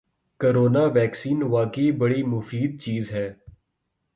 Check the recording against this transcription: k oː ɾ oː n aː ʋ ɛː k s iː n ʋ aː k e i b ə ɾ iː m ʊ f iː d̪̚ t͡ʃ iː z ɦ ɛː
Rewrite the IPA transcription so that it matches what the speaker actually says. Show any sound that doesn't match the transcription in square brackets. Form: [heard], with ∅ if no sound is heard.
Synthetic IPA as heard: k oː ɾ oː n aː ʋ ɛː k s iː n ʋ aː k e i b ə [ɽ] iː m ʊ f iː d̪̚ t͡ʃ iː z ɦ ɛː